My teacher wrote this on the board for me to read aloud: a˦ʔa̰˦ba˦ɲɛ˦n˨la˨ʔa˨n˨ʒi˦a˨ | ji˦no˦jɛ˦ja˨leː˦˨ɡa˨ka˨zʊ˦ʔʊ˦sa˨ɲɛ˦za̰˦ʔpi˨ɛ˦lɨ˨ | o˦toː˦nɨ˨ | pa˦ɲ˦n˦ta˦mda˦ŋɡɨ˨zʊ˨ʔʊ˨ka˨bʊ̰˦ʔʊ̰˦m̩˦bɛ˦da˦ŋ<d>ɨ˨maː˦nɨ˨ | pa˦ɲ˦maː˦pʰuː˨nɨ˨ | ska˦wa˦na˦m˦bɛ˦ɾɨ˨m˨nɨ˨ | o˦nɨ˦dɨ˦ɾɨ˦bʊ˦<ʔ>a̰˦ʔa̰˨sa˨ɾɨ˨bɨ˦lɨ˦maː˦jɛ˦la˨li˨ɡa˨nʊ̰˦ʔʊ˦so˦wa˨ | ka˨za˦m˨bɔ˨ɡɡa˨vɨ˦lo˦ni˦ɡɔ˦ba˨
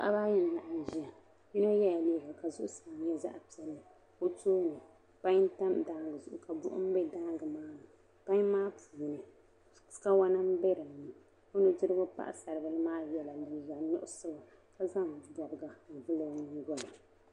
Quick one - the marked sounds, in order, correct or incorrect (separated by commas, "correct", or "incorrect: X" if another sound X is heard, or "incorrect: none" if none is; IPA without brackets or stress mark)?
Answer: incorrect: ɡ, incorrect: p